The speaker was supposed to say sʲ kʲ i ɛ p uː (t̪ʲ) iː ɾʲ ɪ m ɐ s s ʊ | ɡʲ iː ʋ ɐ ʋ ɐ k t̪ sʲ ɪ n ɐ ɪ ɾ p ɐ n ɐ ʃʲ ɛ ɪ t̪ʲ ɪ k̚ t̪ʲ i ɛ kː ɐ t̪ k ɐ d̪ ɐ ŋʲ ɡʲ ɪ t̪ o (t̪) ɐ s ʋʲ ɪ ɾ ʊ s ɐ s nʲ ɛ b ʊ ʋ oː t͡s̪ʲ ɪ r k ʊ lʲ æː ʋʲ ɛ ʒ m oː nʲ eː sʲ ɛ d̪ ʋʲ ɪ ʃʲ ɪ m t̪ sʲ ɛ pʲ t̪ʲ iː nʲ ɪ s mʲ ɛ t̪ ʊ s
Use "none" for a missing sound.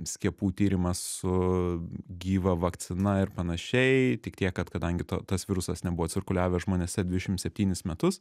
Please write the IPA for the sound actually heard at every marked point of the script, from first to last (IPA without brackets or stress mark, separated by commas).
t̪ʲ, t̪